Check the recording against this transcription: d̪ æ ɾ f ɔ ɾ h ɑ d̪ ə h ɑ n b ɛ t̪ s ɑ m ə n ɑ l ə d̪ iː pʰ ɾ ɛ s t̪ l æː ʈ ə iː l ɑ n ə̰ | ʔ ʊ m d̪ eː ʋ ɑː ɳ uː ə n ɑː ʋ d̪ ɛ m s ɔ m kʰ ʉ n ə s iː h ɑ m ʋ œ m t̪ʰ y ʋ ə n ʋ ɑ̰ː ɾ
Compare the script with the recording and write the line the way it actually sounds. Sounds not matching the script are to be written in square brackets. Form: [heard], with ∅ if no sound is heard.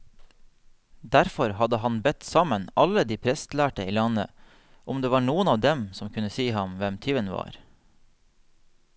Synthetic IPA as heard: d̪ æ ɾ f ɔ ɾ h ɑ d̪ ə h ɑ n b ɛ t̪ s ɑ m ə n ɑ l ə d̪ iː pʰ ɾ ɛ s t̪ l æː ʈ ə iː l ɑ n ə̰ | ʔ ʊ m d̪ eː ʋ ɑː ɳ uː ə n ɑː ʋ d̪ ɛ m s ɔ m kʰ ʉ n ə s iː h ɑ m ʋ [ɛ] m t̪ʰ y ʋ ə n ʋ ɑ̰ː ɾ